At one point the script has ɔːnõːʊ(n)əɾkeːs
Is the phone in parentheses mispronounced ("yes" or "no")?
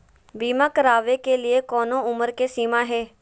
yes